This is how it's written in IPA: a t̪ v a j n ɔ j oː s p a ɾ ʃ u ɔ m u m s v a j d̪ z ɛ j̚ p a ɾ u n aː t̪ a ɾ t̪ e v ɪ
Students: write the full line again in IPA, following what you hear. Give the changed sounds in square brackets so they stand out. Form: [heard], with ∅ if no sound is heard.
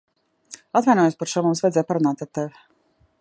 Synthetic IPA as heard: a t̪ v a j n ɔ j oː s p a ɾ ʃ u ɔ m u m s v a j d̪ z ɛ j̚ p a ɾ u n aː t̪ a ɾ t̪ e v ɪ